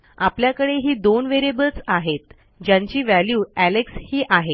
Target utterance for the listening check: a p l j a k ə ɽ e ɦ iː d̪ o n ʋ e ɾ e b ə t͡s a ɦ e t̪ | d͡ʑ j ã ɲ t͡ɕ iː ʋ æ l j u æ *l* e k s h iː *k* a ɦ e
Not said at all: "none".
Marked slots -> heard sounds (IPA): l, ʔ

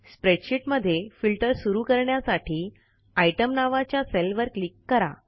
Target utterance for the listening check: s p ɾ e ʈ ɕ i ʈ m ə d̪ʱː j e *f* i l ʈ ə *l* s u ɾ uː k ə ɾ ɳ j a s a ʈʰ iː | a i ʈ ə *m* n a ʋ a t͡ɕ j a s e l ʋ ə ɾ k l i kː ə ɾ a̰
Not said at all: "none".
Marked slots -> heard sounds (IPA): f, ɾ, m

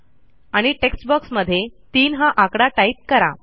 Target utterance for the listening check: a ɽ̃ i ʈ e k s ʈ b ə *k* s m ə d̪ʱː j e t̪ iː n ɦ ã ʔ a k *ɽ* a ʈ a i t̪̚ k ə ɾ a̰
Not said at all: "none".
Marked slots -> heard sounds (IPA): k, ɽ

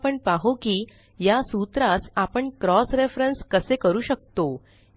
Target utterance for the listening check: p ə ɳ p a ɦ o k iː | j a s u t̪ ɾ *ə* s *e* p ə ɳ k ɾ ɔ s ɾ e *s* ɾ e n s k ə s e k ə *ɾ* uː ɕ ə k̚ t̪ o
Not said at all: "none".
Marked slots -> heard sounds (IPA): a, a, f, ɾ

